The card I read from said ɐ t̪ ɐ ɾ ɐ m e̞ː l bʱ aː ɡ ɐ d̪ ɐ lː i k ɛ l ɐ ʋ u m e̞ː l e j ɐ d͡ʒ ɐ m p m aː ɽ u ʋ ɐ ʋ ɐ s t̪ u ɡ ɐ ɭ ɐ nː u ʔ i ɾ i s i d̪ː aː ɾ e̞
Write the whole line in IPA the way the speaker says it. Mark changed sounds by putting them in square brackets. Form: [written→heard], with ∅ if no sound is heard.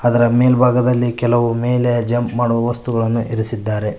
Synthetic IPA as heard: ɐ [t̪→d̪] ɐ ɾ ɐ m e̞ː l bʱ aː ɡ ɐ d̪ ɐ lː i k ɛ l ɐ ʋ u m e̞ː l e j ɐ d͡ʒ ɐ m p m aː ɽ u ʋ ɐ ʋ ɐ s t̪ u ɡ ɐ ɭ ɐ nː u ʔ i ɾ i s i d̪ː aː ɾ e̞